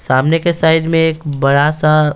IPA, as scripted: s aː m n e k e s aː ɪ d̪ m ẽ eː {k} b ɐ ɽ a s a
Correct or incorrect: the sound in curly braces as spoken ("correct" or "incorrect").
correct